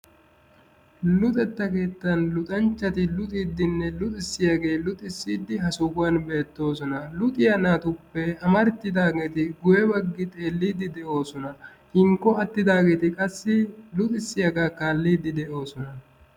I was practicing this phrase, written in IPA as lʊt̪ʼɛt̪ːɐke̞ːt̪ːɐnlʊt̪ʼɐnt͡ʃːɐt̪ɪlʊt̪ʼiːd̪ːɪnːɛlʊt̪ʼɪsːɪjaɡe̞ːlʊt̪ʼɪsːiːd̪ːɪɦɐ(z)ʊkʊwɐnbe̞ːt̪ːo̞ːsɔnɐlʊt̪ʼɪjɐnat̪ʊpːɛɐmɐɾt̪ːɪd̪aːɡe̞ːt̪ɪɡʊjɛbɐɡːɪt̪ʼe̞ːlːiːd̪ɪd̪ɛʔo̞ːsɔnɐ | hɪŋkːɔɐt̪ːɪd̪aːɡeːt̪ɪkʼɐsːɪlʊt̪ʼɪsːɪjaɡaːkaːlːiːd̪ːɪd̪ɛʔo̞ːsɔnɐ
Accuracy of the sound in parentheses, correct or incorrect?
incorrect